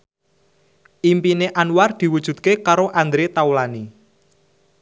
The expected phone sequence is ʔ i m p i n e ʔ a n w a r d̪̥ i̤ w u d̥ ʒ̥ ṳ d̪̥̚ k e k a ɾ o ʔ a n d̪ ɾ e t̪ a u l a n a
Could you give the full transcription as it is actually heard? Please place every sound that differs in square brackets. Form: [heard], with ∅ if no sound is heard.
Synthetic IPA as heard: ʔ i m p i n e ʔ a n w a r d̪̥ i̤ w u d̥ ʒ̥ ṳ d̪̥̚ k e k a ɾ o ʔ a n d̪ ɾ e t̪ a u l a n [i]